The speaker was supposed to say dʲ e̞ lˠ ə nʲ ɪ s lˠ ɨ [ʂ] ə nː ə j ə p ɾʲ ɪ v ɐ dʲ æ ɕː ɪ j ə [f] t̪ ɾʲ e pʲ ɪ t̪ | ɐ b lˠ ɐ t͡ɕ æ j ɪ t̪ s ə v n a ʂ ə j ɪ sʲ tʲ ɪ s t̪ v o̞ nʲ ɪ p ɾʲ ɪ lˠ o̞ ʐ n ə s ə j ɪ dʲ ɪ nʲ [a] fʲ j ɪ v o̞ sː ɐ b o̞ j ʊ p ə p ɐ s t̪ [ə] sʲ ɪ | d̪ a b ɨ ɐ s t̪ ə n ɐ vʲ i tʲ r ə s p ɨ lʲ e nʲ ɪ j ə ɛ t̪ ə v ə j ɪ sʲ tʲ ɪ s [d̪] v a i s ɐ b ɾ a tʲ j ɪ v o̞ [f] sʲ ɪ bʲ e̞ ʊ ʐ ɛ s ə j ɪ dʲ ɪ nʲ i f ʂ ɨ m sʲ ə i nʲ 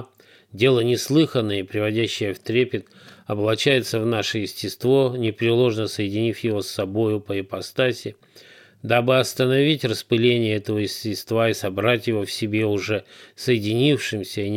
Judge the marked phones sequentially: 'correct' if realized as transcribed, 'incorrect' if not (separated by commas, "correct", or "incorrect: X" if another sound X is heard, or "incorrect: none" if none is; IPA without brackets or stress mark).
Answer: incorrect: x, correct, incorrect: i, incorrect: a, incorrect: t̪, correct